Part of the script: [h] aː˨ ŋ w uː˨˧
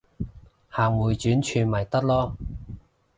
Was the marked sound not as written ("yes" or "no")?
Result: no